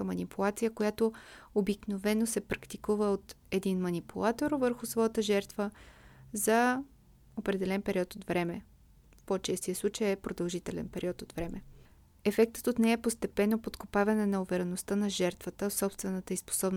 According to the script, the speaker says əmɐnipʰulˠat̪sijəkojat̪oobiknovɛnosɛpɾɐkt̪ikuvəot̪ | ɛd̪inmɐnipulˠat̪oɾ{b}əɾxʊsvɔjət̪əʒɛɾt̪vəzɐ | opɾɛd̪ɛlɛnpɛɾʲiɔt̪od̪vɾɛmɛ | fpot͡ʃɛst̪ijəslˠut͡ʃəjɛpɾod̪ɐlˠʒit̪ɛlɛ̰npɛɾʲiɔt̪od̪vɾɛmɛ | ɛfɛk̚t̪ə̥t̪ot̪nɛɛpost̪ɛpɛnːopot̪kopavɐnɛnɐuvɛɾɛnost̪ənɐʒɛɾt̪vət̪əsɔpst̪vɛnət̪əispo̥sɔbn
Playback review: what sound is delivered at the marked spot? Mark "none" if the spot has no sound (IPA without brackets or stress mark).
v